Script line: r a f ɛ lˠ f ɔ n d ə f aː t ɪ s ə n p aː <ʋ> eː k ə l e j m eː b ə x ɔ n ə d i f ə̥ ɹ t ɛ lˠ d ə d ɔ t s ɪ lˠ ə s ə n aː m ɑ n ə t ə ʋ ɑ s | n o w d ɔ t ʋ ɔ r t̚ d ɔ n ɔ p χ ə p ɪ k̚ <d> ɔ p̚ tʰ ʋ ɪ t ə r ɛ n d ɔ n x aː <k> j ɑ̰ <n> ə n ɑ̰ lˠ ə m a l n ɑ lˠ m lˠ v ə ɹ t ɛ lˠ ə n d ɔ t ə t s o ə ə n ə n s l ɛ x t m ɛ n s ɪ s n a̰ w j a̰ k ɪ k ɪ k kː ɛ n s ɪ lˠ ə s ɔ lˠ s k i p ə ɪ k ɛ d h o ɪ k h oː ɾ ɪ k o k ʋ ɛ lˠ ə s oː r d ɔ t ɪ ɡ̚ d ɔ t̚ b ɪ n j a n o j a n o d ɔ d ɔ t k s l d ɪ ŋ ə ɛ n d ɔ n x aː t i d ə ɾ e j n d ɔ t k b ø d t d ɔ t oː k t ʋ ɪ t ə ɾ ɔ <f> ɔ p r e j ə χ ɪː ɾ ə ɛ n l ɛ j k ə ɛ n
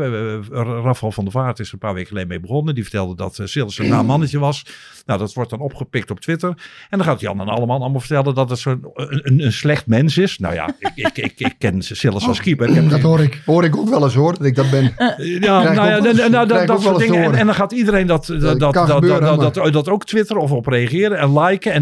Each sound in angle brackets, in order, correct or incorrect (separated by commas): correct, incorrect, incorrect, correct, correct